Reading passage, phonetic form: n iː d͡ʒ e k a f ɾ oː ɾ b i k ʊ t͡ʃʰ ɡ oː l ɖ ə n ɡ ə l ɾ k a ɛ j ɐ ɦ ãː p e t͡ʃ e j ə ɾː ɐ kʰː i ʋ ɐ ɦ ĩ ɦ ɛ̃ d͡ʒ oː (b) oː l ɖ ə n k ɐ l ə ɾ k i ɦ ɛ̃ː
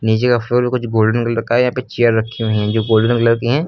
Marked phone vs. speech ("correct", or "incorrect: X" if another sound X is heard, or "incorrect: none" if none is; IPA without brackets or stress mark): incorrect: ɡ